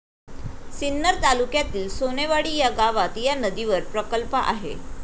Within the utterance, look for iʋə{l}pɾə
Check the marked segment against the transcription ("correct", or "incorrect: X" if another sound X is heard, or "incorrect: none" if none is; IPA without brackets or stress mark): incorrect: ɾ